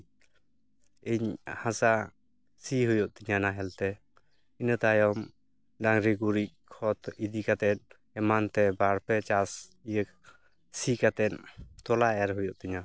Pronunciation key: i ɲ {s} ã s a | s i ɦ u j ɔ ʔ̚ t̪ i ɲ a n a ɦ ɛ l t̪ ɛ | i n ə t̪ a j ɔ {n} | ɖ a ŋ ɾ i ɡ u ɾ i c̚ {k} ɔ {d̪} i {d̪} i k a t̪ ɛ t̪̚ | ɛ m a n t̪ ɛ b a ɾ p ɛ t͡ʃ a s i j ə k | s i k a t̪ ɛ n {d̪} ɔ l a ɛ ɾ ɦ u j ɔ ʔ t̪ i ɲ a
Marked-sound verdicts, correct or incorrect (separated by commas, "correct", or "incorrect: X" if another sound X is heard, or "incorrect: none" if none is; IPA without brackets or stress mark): incorrect: h, incorrect: m, incorrect: kʰ, incorrect: t̪, correct, incorrect: t̪